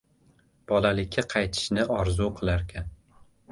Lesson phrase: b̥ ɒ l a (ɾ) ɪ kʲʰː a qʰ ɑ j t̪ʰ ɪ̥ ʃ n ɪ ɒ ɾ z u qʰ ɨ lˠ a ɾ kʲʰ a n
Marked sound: incorrect: l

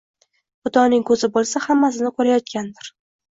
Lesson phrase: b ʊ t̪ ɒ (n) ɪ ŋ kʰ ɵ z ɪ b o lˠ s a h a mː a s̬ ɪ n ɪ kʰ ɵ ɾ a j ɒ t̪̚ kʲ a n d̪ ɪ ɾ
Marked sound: correct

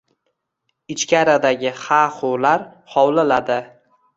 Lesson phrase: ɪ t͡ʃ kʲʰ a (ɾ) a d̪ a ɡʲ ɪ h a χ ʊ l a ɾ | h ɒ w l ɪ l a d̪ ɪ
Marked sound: correct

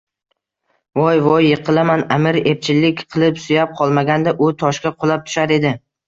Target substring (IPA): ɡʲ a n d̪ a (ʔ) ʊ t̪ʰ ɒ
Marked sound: correct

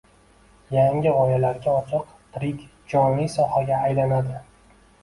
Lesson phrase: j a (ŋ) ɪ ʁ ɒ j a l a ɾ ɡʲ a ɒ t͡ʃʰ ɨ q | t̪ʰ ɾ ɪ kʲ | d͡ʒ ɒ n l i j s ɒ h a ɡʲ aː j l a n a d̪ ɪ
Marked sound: correct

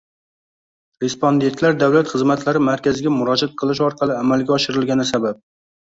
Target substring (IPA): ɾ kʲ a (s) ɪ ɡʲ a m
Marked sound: incorrect: z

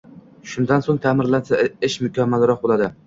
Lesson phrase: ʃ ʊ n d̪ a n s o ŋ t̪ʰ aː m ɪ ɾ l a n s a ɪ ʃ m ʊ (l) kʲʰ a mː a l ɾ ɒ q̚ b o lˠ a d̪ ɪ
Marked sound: incorrect: none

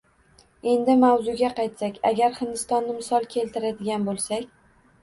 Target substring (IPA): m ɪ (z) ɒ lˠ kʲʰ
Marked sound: incorrect: s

